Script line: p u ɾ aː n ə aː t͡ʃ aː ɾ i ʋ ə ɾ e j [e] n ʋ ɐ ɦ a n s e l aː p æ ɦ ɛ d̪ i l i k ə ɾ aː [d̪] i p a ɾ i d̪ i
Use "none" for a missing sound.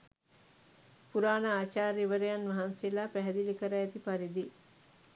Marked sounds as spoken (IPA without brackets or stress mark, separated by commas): a, t̪